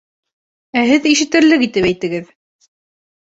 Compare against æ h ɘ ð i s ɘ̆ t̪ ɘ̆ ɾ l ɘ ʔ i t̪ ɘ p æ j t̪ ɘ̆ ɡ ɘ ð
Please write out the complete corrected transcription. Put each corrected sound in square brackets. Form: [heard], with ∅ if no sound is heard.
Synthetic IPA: æ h ɘ ð i [ʃ] ɘ̆ t̪ ɘ̆ ɾ l ɘ [k] i t̪ ɘ p æ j t̪ ɘ̆ ɡ ɘ ð